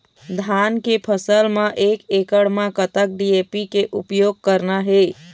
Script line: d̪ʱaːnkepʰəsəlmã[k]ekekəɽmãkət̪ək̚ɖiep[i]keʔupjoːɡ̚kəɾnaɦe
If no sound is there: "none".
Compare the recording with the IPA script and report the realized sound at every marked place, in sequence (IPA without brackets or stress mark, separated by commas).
ʔ, i